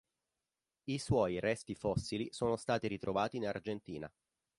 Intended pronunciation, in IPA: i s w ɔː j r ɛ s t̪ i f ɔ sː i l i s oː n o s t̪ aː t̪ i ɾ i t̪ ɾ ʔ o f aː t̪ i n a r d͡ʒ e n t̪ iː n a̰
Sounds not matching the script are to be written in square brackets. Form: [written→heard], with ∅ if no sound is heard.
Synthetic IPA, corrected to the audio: i s w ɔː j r ɛ s t̪ i f ɔ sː i l i s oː n o s t̪ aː t̪ i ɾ i t̪ ɾ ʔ o [f→v] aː t̪ i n a r d͡ʒ e n t̪ iː n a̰